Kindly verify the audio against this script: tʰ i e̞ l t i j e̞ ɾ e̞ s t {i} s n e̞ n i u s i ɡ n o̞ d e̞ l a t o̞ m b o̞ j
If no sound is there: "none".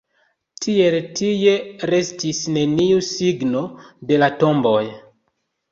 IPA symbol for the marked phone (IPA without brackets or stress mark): i